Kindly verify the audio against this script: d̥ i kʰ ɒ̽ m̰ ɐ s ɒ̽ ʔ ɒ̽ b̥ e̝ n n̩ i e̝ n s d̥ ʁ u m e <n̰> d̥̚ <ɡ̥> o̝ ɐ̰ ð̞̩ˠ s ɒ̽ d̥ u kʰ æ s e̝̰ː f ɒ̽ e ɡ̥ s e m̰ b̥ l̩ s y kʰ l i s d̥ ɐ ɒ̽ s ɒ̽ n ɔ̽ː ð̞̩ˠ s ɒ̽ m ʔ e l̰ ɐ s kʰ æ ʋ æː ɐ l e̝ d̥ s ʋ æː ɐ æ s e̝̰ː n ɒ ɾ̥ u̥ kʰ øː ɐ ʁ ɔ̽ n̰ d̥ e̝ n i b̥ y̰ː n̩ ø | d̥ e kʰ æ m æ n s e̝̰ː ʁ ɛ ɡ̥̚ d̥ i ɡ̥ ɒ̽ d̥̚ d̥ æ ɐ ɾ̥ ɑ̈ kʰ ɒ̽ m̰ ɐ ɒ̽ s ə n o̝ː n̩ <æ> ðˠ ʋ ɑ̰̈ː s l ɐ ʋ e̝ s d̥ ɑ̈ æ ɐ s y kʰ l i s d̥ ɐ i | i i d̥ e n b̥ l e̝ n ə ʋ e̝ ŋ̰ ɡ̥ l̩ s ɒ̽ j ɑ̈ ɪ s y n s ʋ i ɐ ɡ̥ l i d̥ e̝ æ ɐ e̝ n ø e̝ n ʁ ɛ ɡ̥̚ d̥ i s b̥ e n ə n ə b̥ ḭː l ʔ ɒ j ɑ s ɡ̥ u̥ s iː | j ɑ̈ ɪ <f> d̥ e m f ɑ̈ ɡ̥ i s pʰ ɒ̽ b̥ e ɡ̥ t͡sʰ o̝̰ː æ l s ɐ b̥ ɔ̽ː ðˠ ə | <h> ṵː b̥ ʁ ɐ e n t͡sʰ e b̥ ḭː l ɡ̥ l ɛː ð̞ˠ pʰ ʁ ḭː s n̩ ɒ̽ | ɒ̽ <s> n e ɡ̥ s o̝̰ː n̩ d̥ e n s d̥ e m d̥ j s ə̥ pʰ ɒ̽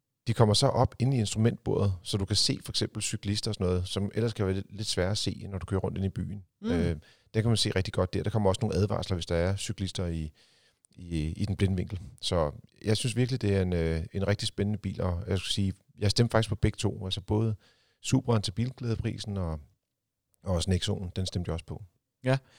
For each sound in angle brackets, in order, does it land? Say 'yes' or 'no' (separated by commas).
yes, no, yes, no, no, yes